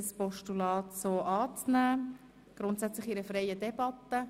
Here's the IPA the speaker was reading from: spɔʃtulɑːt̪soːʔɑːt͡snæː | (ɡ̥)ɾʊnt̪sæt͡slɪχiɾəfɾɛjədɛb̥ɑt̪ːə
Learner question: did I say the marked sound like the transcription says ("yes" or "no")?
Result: yes